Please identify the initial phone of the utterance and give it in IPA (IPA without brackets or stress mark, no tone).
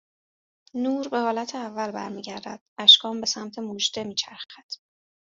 n